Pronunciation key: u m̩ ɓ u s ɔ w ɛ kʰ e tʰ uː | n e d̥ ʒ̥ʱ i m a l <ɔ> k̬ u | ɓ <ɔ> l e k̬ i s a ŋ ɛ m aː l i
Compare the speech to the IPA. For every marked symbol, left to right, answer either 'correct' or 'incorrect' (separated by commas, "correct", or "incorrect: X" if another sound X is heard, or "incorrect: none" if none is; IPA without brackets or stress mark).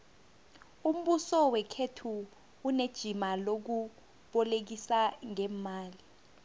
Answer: incorrect: o, correct